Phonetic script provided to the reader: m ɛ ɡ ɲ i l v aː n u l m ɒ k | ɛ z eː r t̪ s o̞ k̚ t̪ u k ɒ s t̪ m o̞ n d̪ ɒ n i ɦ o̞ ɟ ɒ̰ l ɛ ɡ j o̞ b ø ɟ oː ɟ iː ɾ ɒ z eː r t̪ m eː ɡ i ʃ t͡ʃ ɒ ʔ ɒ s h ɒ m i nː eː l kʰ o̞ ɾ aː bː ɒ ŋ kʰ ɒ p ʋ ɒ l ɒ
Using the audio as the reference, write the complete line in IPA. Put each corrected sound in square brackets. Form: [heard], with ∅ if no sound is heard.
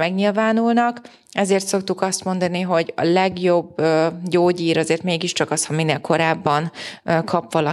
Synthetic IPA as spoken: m ɛ ɡ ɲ i l v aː n u l [n] ɒ k | ɛ z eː r t̪ s o̞ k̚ t̪ u k ɒ s t̪ m o̞ n d̪ ɒ n i ɦ o̞ ɟ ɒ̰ l ɛ ɡ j o̞ b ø ɟ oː ɟ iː ɾ ɒ z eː r t̪ m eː ɡ i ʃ t͡ʃ ɒ [k] ɒ s h ɒ m i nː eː l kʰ o̞ ɾ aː bː ɒ [n] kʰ ɒ p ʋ ɒ l ɒ